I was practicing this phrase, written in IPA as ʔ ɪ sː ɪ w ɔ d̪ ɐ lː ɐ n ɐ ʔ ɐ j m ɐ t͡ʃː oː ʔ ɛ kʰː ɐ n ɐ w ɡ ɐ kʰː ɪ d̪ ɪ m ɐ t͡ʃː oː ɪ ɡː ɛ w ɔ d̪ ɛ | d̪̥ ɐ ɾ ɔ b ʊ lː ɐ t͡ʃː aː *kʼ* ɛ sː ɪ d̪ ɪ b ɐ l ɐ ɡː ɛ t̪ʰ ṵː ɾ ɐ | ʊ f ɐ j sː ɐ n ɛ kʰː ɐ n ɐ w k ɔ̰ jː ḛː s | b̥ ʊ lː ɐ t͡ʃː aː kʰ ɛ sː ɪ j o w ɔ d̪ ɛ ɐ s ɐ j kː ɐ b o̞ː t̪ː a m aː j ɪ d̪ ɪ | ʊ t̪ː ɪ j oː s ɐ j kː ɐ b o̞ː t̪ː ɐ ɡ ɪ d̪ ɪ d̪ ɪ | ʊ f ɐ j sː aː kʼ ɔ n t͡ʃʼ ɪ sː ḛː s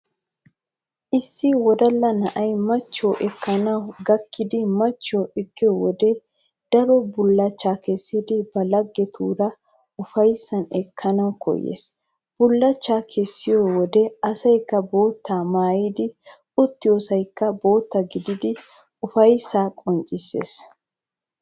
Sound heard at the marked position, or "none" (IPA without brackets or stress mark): k